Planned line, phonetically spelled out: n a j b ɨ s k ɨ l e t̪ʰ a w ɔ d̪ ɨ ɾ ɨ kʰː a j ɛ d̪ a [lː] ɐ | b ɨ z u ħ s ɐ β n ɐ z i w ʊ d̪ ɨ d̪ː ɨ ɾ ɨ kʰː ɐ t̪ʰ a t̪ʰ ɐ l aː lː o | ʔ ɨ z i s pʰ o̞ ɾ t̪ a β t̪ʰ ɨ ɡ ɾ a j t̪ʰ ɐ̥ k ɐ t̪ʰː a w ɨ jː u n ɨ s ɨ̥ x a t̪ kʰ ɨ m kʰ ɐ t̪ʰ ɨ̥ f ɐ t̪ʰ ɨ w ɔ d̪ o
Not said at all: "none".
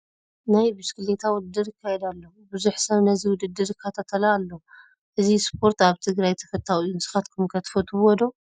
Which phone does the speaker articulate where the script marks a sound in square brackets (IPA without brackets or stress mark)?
lː